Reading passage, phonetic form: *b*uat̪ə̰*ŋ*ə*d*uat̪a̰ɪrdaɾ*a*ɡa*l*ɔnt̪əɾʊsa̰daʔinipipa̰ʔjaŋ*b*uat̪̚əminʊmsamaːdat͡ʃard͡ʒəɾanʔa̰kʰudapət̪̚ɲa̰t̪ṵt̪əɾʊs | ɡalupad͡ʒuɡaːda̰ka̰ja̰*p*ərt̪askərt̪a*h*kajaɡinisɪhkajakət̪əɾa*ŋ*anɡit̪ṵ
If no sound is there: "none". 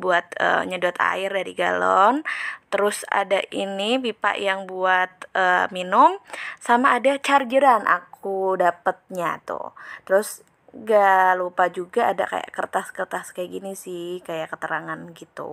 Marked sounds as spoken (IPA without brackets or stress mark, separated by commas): b, ɲ, d, i, l, b, k, s, ŋ